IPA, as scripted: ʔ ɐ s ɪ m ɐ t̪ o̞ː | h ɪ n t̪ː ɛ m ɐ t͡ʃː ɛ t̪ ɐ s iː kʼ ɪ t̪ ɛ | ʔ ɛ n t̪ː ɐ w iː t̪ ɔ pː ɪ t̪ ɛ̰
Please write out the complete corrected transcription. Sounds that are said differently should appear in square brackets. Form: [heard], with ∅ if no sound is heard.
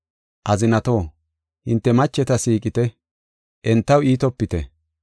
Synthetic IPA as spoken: ʔ ɐ [z] ɪ [n] ɐ t̪ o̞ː | h ɪ n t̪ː ɛ m ɐ t͡ʃː ɛ t̪ ɐ s iː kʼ ɪ t̪ ɛ | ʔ ɛ n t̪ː ɐ w iː t̪ ɔ pː ɪ t̪ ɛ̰